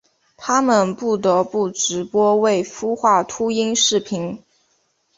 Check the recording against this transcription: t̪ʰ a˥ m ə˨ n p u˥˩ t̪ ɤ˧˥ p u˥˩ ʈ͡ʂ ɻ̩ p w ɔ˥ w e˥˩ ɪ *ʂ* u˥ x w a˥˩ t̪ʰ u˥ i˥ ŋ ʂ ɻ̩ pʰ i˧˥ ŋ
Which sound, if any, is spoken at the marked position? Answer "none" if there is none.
f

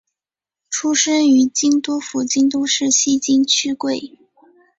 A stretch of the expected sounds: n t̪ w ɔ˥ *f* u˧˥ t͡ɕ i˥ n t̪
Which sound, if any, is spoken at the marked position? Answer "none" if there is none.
f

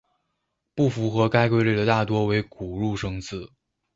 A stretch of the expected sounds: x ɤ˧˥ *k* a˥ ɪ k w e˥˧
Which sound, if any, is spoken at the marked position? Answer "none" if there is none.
k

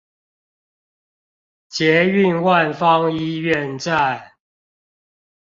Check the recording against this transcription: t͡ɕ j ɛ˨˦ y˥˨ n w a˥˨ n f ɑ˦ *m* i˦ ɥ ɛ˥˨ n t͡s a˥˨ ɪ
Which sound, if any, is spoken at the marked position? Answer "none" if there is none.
ŋ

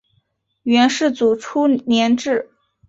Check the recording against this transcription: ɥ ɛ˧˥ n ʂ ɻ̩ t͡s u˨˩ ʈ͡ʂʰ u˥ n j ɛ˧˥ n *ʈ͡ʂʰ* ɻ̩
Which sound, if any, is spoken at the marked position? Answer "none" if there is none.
ʈ͡ʂ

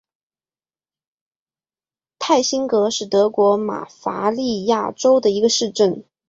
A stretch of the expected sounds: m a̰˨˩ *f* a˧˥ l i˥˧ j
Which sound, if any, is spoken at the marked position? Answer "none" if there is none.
f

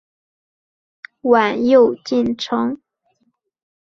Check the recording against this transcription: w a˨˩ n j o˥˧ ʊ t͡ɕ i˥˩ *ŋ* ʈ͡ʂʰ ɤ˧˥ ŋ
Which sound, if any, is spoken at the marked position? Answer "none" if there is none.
n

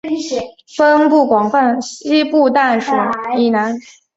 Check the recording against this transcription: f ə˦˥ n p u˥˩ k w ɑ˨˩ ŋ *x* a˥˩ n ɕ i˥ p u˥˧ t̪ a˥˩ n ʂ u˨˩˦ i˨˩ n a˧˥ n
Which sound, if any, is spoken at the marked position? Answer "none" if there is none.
f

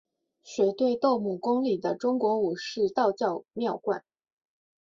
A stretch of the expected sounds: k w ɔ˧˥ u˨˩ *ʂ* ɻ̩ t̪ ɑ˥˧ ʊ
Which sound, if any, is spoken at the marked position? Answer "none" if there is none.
ʂ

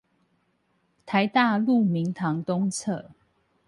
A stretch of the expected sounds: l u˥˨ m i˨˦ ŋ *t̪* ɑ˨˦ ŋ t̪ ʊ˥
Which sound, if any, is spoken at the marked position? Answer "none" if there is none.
t̪ʰ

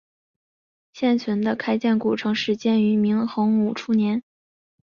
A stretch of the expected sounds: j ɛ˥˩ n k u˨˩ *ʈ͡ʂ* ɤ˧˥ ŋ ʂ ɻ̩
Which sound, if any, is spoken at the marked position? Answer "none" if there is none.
ʈ͡ʂʰ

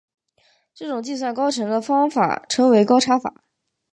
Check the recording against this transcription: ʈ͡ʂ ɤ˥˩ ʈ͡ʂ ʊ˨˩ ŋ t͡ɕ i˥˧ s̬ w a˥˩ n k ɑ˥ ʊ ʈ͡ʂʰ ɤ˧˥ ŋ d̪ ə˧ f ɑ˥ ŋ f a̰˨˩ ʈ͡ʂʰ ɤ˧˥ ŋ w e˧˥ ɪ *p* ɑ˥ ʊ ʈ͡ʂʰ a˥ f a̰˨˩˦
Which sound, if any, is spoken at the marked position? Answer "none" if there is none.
k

